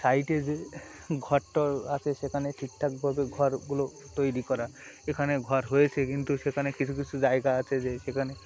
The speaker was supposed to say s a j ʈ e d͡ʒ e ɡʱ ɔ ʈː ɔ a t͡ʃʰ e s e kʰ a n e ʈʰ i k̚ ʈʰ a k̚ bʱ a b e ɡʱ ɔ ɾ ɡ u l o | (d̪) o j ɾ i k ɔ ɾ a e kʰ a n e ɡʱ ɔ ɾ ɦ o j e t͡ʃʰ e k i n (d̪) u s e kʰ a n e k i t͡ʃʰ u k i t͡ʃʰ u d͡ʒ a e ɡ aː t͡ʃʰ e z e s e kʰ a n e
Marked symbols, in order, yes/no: no, no

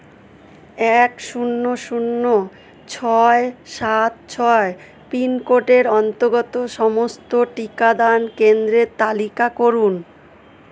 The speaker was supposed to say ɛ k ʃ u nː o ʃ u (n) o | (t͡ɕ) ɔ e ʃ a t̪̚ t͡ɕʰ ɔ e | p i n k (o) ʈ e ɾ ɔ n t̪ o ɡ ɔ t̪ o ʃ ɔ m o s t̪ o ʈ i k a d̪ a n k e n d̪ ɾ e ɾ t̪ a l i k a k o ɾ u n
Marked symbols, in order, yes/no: no, no, yes

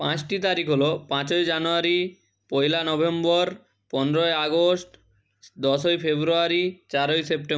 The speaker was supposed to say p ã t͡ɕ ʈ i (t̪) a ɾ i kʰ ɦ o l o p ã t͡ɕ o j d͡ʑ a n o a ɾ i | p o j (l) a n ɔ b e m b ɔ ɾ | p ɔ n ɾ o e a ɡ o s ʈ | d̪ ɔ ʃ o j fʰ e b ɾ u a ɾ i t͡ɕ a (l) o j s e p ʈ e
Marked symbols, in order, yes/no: yes, yes, no

